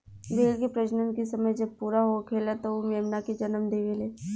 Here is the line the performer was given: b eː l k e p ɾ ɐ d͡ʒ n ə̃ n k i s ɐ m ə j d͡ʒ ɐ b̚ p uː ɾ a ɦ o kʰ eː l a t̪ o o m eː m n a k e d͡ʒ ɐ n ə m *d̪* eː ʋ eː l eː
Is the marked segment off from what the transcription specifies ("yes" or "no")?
no